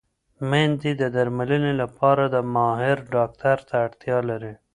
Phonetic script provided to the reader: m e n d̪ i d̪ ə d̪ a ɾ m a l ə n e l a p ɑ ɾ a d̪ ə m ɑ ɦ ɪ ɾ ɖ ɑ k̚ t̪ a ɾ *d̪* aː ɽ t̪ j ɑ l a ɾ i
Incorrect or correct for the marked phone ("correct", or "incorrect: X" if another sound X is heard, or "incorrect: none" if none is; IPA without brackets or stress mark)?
incorrect: t̪